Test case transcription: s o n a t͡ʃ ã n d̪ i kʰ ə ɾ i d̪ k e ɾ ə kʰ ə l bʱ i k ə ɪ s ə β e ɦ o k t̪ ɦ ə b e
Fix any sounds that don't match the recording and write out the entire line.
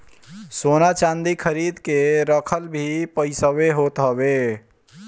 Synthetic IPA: s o n a t͡ʃ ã n d̪ i kʰ ə ɾ i d̪ k e ɾ ə kʰ ə l bʱ i p ə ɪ s ə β e ɦ o t̪ ɦ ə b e